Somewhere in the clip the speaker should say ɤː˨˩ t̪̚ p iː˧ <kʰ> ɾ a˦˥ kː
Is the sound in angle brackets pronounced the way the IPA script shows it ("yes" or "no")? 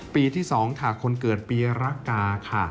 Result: no